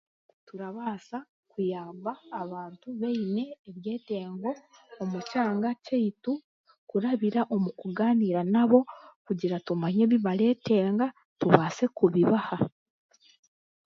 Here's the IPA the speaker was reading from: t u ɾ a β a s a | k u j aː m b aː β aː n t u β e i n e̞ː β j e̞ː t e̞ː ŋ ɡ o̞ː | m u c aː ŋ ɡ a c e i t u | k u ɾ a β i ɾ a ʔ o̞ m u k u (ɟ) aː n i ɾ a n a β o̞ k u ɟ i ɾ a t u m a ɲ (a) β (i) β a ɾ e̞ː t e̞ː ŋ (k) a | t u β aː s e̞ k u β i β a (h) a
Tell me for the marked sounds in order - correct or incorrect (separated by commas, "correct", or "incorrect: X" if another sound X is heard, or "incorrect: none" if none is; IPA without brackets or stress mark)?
incorrect: ɡ, incorrect: e, correct, incorrect: ɡ, correct